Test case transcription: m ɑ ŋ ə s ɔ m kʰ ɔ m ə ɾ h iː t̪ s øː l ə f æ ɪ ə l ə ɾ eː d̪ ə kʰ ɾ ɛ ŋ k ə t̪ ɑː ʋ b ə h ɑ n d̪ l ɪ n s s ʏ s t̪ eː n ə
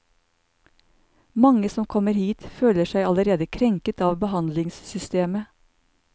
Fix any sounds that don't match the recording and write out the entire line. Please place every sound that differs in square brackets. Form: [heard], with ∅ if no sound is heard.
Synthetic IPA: m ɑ ŋ ə s ɔ m kʰ ɔ m ə ɾ h iː t̪ [f] øː l ə [ʃ] æ ɪ [ɑ] l ə ɾ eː d̪ ə kʰ ɾ ɛ ŋ k ə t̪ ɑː ʋ b ə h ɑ n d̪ l ɪ [ŋ] s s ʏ s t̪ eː [m] ə

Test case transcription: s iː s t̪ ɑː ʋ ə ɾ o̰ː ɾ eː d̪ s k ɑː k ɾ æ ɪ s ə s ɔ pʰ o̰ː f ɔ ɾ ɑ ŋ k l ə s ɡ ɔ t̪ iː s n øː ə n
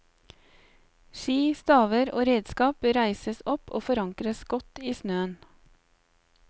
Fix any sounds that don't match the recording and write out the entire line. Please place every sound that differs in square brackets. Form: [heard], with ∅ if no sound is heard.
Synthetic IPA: [ʃ] iː s t̪ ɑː ʋ ə ɾ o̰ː ɾ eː d̪ s k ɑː [p] ɾ æ ɪ s ə s ɔ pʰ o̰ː f ɔ ɾ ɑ ŋ k [ɾ] ə s ɡ ɔ t̪ iː s n øː ə n

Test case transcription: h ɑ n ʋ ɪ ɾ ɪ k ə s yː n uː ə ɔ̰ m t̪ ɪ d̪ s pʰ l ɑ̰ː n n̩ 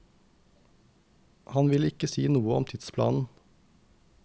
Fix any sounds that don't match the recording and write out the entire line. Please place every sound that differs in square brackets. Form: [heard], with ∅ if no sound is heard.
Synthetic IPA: h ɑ n ʋ ɪ [l] ɪ k ə s [iː] n uː ə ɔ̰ m [t̪ʰ] ɪ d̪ s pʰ l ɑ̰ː n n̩

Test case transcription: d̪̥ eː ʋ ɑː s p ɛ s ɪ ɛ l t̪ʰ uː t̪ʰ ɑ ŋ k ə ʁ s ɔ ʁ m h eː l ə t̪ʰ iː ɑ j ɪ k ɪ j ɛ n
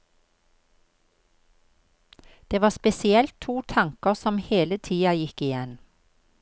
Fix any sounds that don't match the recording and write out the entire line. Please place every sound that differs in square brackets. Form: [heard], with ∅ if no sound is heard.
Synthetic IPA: d̪̥ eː ʋ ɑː s p ɛ s ɪ ɛ l t̪ʰ uː t̪ʰ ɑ ŋ k ə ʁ s ɔ [∅] m h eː l ə t̪ʰ iː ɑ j ɪ k ɪ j ɛ n

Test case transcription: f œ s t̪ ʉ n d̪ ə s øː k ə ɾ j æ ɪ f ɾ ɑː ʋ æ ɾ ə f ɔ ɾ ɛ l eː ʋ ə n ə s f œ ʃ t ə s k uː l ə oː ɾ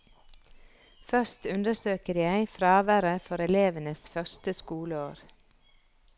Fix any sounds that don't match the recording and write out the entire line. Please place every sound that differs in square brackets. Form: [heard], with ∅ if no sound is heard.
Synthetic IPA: f œ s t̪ ʉ n d̪ ə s øː k ə ɾ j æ ɪ f ɾ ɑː ʋ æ ɾ ə f ɔ ɾ ɛ l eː ʋ ə n ə s f œ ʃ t ə s k uː l ə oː ɾ

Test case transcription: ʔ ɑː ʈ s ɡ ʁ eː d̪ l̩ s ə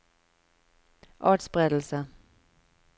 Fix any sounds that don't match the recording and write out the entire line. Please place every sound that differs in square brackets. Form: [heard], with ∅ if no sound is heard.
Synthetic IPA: ʔ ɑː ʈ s [b] ʁ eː d̪ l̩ s ə

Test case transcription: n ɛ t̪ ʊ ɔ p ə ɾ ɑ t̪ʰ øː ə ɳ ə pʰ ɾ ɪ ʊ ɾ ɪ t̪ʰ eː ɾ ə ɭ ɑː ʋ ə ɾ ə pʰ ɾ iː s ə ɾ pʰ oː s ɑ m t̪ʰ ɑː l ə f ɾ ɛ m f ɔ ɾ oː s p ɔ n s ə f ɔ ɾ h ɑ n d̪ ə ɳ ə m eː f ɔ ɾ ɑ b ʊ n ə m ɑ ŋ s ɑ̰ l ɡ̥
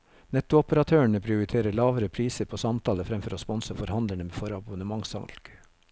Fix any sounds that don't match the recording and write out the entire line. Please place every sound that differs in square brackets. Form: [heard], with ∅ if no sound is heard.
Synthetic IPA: n ɛ t̪ ʊ ɔ p ə ɾ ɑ t̪ʰ øː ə ɳ ə pʰ ɾ ɪ ʊ ɾ ɪ t̪ʰ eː ɾ ə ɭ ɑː ʋ ə ɾ ə pʰ ɾ iː s ə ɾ pʰ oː s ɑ m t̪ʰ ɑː l ə f ɾ ɛ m f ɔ ɾ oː s p ɔ n s ə f ɔ ɾ h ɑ n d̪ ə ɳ ə m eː f ɔ ɾ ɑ b ʊ n ə m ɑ ŋ s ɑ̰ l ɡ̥

